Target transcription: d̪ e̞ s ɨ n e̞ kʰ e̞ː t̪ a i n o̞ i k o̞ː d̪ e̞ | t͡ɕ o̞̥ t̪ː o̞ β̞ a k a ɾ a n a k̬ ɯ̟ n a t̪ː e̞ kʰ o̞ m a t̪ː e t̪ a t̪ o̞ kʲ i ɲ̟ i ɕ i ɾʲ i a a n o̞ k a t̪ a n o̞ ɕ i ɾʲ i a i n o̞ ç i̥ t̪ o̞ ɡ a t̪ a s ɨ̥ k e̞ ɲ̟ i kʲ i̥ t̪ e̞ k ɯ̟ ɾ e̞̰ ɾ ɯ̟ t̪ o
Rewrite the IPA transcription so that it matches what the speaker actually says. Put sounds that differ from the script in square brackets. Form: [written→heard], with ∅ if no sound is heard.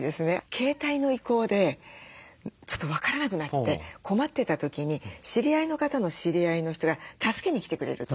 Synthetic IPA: d̪ e̞ s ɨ n e̞ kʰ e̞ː t̪ a i n o̞ i k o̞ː d̪ e̞ | t͡ɕ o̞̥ t̪ː o̞ β̞ a k a ɾ a n a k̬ ɯ̟ n a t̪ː e̞ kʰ o̞ m a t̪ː e t̪ a t̪ o̞ kʲ i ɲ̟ i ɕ i ɾʲ i a [a→i] n o̞ k a t̪ a n o̞ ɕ i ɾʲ i a i n o̞ ç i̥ t̪ o̞ ɡ a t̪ a s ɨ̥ k e̞ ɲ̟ i kʲ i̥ t̪ e̞ k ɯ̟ ɾ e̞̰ ɾ ɯ̟ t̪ o